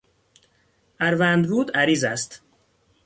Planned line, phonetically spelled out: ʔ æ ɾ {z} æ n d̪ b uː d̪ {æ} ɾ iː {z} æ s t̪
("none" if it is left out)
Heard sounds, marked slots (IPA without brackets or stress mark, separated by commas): v, æ, z